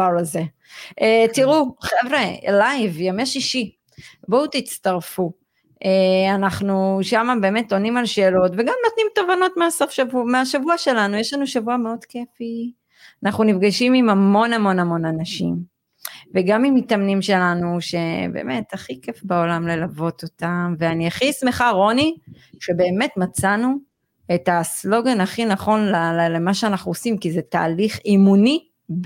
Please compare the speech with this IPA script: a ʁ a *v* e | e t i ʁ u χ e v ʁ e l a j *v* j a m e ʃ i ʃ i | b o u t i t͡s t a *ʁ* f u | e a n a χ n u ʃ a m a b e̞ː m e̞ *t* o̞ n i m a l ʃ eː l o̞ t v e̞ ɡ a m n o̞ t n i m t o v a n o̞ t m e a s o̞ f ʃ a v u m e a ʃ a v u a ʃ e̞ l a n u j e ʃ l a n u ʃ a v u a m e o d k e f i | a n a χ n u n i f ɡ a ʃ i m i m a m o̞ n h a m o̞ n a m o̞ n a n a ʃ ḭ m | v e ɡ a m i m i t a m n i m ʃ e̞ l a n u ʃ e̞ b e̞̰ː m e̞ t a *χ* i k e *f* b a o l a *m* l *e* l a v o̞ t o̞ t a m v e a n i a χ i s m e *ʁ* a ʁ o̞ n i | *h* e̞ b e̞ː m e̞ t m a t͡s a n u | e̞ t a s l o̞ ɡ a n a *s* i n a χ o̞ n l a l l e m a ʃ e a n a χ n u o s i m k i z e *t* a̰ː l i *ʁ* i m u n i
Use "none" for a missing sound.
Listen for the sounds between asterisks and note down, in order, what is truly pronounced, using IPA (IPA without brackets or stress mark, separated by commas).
z, v, ʁ, t, χ, f, m, e, χ, ʃ, χ, t, χ